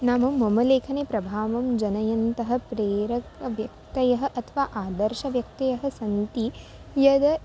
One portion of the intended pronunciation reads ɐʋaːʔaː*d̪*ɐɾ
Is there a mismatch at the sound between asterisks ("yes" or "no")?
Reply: no